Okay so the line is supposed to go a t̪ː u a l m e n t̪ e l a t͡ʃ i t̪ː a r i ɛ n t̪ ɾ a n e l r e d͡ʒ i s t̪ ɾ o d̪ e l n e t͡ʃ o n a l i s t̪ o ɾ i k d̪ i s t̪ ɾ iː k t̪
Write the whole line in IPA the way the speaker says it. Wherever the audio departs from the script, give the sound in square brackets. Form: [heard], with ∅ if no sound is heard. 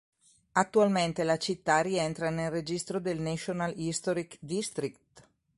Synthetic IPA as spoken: a t̪ː u a l m e n t̪ e l a t͡ʃ i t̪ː a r i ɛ n t̪ ɾ a n e l r e d͡ʒ i s t̪ ɾ o d̪ e l n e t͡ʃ o n a l i s t̪ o ɾ i k d̪ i s t̪ ɾ [i] k t̪